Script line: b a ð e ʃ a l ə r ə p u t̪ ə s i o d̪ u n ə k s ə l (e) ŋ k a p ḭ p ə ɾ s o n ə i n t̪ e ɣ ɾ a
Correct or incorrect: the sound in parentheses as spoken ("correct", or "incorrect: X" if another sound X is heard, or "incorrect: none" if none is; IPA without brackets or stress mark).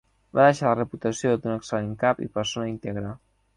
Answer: correct